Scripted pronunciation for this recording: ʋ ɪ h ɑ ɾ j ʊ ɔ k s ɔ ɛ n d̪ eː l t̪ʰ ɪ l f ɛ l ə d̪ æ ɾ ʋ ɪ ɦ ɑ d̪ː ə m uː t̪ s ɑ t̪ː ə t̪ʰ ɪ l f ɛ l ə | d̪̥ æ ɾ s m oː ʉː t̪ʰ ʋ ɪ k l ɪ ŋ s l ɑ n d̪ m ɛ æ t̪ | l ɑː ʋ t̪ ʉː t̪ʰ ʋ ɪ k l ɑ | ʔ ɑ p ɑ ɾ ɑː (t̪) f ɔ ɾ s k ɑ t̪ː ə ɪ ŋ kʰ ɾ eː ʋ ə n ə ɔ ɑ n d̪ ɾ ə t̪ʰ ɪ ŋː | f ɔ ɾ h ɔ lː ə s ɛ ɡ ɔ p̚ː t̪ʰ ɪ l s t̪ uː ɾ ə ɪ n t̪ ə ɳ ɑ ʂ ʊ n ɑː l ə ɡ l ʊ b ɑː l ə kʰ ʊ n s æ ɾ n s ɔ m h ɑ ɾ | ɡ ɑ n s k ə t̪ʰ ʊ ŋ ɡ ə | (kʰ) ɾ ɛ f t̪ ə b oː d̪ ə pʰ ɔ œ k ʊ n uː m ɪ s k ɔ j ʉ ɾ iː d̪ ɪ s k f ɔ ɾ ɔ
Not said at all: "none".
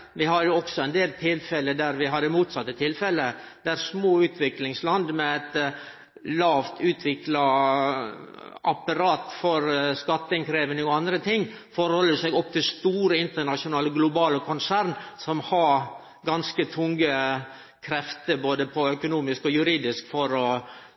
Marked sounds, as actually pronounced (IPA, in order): t̪, kʰ

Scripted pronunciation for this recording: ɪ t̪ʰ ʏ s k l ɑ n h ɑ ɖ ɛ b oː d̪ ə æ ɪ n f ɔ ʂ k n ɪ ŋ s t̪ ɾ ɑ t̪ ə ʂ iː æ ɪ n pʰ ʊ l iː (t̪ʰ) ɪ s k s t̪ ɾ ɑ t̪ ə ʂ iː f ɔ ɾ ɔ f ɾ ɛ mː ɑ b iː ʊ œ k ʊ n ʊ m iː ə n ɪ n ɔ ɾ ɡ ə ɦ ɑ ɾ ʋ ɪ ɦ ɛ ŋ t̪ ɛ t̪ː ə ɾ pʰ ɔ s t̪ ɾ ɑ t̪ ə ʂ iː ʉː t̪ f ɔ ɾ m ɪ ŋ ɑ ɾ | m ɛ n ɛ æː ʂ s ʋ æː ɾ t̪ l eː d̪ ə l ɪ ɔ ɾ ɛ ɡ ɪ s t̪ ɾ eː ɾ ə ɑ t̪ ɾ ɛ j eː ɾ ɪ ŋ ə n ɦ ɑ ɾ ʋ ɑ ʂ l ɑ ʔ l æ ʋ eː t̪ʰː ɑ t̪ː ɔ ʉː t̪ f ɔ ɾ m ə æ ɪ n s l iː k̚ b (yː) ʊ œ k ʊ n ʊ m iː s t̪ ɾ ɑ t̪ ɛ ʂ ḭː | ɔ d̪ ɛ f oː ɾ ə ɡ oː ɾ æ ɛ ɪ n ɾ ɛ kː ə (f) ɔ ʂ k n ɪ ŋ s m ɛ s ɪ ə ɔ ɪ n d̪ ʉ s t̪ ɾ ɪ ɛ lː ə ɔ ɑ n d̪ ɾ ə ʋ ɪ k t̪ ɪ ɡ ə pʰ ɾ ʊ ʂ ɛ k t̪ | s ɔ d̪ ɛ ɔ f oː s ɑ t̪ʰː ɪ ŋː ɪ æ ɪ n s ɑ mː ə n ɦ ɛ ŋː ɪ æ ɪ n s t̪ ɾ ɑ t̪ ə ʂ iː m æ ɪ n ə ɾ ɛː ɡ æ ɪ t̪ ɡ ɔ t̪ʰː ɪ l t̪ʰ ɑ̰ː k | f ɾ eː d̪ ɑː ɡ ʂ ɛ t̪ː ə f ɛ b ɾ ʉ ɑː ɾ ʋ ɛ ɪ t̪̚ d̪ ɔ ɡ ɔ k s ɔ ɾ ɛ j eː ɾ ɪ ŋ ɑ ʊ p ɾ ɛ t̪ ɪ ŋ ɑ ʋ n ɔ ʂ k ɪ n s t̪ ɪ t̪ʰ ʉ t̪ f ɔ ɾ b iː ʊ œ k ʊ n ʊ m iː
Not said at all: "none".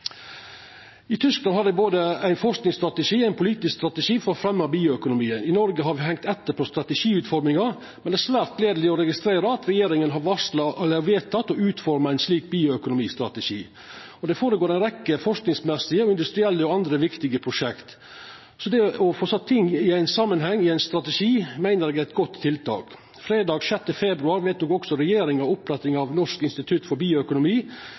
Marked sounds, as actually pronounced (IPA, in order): t̪, iː, f

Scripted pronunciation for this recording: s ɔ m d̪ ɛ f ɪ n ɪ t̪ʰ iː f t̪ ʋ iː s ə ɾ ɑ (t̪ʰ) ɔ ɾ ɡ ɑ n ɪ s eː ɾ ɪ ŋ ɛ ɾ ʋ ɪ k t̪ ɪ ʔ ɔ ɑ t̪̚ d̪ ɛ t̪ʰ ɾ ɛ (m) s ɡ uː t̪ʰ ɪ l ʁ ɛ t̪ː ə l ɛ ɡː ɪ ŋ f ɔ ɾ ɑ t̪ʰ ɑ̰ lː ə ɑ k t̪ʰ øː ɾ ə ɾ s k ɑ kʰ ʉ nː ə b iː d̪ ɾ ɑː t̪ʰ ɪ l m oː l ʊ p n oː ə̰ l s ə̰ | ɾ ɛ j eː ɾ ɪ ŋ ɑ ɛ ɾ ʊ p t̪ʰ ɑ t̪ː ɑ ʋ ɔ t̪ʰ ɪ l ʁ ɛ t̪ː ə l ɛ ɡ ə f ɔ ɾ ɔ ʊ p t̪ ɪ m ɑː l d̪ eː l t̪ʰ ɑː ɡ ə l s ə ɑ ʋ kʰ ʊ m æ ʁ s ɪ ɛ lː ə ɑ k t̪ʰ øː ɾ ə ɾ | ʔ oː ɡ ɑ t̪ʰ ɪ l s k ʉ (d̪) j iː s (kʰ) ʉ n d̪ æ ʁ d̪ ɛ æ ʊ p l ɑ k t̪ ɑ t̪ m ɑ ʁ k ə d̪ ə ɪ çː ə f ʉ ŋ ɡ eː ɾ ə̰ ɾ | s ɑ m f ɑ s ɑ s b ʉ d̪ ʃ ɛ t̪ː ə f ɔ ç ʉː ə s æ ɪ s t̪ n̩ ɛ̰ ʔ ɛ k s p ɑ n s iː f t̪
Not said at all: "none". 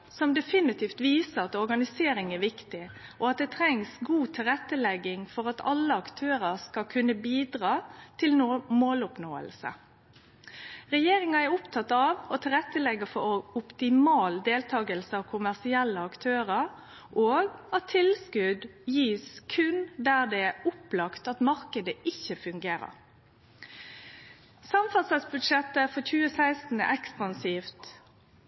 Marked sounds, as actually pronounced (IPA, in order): t̪, ŋ, d̪, kʰ

